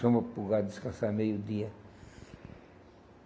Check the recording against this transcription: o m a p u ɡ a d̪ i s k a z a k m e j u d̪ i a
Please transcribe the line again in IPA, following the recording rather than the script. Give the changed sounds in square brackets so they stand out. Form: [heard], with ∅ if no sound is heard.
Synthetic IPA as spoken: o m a p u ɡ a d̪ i s k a [s] a [∅] m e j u d̪ i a